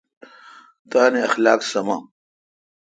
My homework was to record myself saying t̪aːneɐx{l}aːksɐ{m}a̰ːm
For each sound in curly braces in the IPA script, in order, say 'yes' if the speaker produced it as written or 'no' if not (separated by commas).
yes, yes